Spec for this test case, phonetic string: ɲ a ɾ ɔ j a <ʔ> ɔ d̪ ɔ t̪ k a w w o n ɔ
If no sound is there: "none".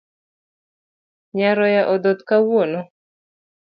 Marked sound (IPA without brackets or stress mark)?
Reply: ʔ